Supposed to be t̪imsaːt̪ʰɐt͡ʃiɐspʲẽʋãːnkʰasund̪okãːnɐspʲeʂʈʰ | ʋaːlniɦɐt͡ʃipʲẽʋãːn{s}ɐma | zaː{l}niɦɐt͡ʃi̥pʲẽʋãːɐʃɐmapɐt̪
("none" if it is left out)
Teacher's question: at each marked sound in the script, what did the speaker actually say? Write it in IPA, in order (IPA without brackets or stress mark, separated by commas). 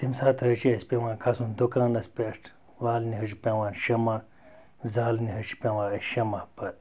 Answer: ʃ, l